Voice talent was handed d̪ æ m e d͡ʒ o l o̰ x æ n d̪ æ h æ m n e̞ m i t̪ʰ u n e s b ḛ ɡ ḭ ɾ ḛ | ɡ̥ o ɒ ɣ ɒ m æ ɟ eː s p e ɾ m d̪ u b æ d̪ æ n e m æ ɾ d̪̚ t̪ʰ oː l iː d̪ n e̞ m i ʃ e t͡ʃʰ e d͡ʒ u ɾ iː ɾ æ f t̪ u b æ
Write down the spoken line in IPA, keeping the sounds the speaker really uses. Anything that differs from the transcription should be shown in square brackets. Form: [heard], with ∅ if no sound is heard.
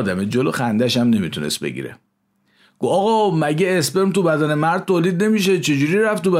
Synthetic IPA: d̪ æ m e d͡ʒ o l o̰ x æ n d̪ æ [ʃ] æ m n e̞ m i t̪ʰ u n e s b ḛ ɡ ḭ ɾ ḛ | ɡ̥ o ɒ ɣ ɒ m æ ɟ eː s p e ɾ m [t̪] u b æ d̪ æ n e m æ ɾ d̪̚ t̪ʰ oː l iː d̪ n e̞ m i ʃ e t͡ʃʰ e d͡ʒ u ɾ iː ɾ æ f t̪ u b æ